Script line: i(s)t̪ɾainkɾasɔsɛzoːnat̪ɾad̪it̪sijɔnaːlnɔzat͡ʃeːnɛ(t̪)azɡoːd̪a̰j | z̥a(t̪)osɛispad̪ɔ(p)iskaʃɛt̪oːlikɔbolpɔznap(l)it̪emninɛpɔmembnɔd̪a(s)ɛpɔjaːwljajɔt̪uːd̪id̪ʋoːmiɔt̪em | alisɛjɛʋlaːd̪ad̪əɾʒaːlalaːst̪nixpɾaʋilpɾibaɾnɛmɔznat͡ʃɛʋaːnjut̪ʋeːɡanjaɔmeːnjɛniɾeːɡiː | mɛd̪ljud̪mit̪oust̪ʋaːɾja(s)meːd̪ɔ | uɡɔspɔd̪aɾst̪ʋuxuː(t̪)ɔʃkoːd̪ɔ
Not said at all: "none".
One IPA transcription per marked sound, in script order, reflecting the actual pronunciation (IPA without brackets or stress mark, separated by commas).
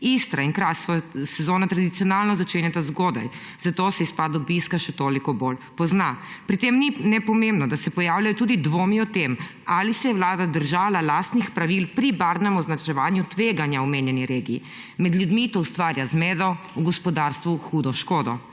s, t̪, t̪, b, ɾ, s, z, d̪